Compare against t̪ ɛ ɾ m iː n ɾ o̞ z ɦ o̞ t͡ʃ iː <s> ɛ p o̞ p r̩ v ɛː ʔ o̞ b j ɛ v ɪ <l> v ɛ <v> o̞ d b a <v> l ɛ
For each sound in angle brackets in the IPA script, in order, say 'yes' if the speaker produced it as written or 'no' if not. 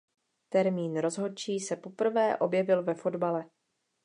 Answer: yes, yes, no, no

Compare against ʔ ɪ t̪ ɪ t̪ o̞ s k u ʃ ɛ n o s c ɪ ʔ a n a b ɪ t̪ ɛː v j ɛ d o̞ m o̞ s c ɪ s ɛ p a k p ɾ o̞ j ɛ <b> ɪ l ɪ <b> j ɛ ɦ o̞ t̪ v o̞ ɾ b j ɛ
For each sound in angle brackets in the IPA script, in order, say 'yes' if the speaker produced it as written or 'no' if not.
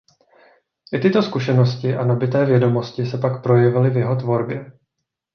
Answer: no, no

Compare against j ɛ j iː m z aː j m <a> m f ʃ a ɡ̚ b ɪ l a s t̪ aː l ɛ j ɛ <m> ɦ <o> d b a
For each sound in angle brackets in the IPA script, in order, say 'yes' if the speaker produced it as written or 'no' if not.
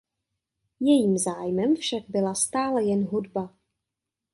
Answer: no, no, no

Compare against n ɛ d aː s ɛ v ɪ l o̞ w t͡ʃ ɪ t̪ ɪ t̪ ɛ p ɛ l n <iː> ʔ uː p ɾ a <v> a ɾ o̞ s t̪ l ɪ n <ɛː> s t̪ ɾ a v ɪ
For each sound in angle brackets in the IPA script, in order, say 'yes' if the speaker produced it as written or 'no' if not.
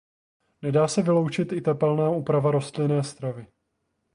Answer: no, yes, yes

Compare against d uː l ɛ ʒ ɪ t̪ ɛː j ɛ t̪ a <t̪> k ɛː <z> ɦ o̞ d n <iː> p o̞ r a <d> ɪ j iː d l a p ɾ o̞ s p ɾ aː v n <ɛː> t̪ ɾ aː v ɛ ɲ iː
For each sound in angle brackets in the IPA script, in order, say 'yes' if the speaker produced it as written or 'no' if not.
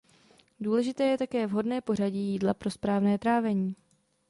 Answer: no, no, no, no, yes

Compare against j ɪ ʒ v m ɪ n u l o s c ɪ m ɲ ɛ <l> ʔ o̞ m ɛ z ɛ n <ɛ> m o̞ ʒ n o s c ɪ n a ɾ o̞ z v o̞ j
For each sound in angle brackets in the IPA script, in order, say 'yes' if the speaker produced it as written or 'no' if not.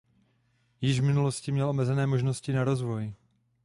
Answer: yes, no

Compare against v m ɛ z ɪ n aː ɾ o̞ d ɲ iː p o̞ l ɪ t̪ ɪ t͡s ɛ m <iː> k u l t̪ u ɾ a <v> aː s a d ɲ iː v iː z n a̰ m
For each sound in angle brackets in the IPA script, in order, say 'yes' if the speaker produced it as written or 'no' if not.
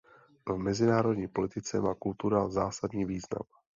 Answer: no, no

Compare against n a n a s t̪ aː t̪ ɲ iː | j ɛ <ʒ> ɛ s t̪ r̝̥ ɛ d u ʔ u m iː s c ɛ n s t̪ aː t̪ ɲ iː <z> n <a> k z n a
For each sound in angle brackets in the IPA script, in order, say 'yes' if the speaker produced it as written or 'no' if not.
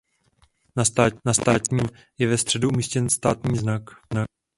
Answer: no, yes, yes

